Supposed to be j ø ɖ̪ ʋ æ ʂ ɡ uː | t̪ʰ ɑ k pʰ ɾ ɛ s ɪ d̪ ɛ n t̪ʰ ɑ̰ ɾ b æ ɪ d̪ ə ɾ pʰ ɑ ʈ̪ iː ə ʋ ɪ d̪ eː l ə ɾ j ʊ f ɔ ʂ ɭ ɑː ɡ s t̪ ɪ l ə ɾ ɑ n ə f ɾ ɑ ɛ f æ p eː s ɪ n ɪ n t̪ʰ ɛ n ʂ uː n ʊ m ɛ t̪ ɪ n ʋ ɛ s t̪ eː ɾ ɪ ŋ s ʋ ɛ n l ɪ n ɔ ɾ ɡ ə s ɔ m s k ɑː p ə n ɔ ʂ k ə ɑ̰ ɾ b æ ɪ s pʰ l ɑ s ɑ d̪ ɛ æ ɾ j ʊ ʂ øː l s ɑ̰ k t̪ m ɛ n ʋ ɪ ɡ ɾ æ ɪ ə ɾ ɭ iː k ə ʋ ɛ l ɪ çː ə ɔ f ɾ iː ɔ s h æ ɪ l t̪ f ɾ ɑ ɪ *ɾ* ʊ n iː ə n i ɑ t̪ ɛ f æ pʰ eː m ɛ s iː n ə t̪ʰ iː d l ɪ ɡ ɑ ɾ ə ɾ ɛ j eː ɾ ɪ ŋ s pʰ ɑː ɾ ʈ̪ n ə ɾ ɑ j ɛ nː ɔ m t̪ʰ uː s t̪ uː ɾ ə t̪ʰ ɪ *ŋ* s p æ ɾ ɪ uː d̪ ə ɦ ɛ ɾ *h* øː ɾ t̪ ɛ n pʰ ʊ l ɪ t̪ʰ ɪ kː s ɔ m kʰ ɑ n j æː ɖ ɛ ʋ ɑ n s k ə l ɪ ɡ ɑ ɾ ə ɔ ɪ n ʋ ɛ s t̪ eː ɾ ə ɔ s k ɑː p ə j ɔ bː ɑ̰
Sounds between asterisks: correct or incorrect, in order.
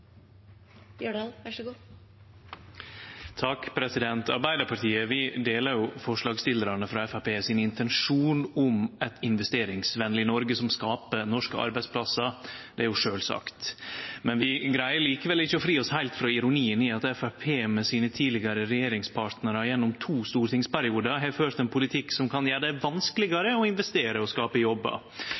correct, correct, incorrect: f

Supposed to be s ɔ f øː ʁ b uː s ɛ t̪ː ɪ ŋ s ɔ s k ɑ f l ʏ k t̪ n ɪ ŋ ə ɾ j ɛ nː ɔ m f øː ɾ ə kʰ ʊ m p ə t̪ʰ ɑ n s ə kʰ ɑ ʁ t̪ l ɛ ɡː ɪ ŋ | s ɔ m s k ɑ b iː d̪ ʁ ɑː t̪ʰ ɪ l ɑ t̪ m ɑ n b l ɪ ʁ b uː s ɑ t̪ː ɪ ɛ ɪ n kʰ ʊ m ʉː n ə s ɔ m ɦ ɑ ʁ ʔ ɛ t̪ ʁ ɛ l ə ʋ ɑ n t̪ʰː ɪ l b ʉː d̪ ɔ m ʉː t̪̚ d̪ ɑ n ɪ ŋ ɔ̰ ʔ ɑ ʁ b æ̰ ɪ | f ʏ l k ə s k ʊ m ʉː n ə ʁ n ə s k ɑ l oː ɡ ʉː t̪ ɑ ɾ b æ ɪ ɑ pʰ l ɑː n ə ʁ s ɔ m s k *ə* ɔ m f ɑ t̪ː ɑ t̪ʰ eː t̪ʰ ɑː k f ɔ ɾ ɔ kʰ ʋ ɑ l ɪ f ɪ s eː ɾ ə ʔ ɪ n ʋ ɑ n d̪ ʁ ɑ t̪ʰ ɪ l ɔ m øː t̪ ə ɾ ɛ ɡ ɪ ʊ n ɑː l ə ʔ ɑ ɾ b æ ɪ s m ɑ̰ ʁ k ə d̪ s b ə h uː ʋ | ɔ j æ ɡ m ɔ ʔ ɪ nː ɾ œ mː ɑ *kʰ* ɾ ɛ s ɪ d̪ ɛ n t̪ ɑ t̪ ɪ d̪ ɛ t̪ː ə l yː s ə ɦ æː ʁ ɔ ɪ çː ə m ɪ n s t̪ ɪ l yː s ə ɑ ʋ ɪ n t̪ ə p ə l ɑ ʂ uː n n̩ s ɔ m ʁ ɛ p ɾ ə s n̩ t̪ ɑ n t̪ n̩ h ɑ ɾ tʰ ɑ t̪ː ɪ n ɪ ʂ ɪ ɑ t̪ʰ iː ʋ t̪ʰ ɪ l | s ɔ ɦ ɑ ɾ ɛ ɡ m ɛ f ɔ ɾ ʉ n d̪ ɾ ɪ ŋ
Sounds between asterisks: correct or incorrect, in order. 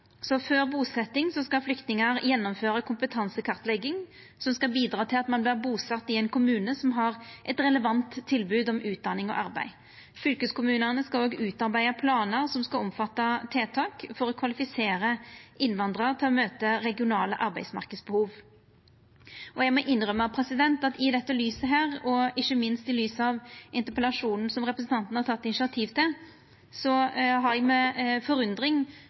incorrect: ɑ, incorrect: pʰ

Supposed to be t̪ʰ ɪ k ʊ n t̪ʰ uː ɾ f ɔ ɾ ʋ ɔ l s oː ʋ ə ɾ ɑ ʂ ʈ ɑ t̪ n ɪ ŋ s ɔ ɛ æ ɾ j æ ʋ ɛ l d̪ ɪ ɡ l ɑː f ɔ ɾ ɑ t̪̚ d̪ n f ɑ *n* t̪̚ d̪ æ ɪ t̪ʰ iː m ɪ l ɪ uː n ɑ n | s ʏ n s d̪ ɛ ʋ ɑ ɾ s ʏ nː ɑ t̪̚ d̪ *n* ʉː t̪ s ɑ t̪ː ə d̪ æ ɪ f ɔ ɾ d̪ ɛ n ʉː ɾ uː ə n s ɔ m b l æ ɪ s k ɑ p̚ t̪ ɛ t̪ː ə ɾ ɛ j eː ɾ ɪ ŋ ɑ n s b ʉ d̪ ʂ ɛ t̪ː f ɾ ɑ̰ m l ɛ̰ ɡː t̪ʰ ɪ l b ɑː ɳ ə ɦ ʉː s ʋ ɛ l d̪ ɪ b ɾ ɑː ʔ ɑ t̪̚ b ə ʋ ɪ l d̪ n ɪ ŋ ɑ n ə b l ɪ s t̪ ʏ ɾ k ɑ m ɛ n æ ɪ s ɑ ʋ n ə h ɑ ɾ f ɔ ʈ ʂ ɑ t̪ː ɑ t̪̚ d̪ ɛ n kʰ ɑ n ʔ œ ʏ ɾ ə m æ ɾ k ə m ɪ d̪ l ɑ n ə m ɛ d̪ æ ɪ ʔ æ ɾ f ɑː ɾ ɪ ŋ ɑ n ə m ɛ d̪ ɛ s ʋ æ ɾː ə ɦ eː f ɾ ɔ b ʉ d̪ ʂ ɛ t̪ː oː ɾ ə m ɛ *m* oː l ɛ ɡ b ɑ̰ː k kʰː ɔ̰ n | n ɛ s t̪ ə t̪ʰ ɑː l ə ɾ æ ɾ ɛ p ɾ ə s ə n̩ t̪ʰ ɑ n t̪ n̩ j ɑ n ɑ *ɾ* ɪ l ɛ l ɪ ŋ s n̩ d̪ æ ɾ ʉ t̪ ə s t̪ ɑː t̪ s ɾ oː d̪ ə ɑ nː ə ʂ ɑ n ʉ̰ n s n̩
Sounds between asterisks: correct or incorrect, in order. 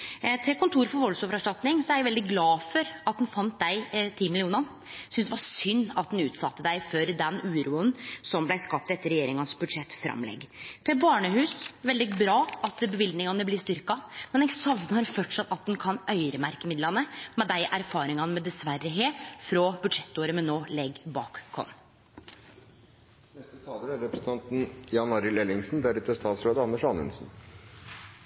correct, correct, incorrect: n, correct

